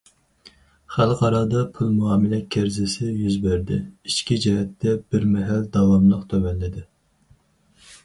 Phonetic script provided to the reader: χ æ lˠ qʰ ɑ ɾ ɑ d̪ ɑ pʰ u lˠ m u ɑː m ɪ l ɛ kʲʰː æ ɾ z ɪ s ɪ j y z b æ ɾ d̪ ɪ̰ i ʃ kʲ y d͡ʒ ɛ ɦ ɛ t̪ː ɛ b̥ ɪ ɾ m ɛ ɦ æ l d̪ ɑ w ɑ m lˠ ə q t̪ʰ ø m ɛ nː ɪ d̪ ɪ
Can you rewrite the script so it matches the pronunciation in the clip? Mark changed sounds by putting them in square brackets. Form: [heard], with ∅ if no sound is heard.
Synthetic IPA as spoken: χ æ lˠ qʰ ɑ ɾ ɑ d̪ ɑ pʰ u lˠ m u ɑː m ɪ l ɛ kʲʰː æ ɾ z ɪ s ɪ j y z b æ ɾ d̪ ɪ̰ i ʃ kʲ [i] d͡ʒ ɛ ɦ ɛ t̪ː ɛ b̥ ɪ ɾ m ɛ ɦ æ l d̪ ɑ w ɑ m lˠ ə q t̪ʰ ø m ɛ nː ɪ d̪ ɪ

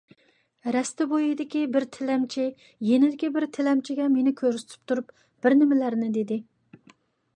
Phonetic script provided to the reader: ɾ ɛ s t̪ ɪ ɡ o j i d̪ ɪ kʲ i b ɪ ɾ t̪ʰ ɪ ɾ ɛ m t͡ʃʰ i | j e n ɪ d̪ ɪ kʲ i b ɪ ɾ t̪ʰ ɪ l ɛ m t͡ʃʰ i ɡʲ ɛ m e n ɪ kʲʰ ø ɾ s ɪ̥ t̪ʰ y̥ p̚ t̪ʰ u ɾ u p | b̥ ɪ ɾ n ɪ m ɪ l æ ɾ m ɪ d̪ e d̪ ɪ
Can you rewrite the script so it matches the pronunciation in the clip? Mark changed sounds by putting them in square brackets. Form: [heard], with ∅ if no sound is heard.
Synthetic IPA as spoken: ɾ ɛ s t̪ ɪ [b] o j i d̪ ɪ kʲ i b ɪ ɾ t̪ʰ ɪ [l] ɛ m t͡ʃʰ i | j e n ɪ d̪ ɪ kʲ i b ɪ ɾ t̪ʰ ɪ l ɛ m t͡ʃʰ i ɡʲ ɛ m e n ɪ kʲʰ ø ɾ s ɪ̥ t̪ʰ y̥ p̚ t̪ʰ u ɾ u p | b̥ ɪ ɾ n ɪ m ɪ l æ ɾ [n] ɪ d̪ e d̪ ɪ

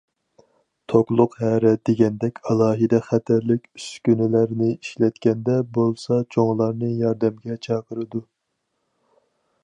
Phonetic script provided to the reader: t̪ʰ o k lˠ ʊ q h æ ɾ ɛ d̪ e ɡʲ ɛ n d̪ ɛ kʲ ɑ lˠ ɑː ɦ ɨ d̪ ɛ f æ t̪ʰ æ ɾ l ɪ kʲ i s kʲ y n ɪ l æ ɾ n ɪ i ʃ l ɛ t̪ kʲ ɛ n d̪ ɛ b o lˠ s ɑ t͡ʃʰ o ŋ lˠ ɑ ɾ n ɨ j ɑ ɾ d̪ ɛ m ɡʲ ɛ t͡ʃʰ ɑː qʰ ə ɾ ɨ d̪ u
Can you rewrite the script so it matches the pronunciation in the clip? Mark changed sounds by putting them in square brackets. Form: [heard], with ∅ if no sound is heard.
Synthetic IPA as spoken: t̪ʰ o k lˠ ʊ q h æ ɾ ɛ d̪ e ɡʲ ɛ n d̪ ɛ kʲ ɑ lˠ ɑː ɦ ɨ d̪ ɛ [χ] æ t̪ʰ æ ɾ l ɪ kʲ [y] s kʲ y n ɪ l æ ɾ n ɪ i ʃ l ɛ t̪ kʲ ɛ n d̪ ɛ b o lˠ s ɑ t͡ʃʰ o ŋ lˠ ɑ ɾ n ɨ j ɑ ɾ d̪ ɛ m ɡʲ ɛ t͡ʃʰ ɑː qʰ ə ɾ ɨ d̪ u

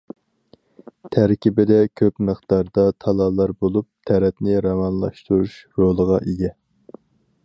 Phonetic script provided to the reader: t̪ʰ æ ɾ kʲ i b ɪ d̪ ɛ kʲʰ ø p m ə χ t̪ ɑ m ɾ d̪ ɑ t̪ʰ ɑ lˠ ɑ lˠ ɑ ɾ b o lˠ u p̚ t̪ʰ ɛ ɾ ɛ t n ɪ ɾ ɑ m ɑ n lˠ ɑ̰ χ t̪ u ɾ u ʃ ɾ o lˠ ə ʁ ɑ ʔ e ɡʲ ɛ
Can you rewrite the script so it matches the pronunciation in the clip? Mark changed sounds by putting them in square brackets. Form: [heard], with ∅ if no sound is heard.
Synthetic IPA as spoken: t̪ʰ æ ɾ kʲ i b ɪ d̪ ɛ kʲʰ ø p m ə χ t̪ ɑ [∅] ɾ d̪ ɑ t̪ʰ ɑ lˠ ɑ lˠ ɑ ɾ b o lˠ u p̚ t̪ʰ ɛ ɾ ɛ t n ɪ ɾ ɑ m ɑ n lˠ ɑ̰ [ʃ] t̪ u ɾ u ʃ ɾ o lˠ ə ʁ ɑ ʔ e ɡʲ ɛ

